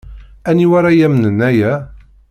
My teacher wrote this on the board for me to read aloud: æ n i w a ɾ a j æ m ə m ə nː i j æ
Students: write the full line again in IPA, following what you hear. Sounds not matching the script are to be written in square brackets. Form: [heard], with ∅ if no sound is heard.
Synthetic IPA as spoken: æ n i w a ɾ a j æ m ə [n] ə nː [æ] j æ